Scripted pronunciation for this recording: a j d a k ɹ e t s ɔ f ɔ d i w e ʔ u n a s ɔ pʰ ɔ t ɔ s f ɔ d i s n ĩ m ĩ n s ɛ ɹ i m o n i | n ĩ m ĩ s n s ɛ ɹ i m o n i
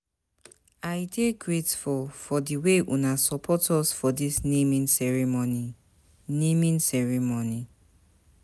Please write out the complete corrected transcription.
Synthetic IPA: a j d e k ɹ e t f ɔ f ɔ d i w e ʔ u n a s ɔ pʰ ɔ t ɔ s f ɔ d i s n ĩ m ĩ n s ɛ ɹ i m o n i | n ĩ m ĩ n s ɛ ɹ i m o n i